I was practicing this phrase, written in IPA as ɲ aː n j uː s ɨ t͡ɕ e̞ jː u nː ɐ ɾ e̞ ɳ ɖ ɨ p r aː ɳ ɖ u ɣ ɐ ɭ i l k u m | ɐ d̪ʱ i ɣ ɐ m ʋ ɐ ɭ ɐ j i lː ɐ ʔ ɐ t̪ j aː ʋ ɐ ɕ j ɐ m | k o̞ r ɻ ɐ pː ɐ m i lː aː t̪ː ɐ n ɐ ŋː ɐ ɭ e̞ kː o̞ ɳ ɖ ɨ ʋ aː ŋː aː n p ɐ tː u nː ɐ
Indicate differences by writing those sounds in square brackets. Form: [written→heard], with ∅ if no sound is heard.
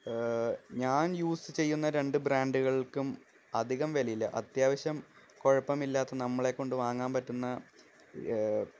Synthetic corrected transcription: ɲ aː n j uː s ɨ t͡ɕ e̞ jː u nː ɐ ɾ e̞ ɳ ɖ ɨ [p→b] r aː ɳ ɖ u ɣ ɐ ɭ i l k u m | ɐ d̪ʱ i ɣ ɐ m ʋ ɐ [ɭ→l] ɐ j i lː ɐ ʔ ɐ t̪ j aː ʋ ɐ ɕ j ɐ m | k o̞ [r→∅] ɻ ɐ pː ɐ m i lː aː t̪ː ɐ n ɐ [ŋː→mː] ɐ ɭ e̞ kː o̞ ɳ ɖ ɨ ʋ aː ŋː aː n p ɐ tː u nː ɐ